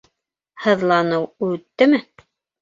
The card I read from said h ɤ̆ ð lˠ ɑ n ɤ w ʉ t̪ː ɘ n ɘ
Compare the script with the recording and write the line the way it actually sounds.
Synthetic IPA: h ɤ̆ ð lˠ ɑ n ɤ w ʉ t̪ː ɘ m ɘ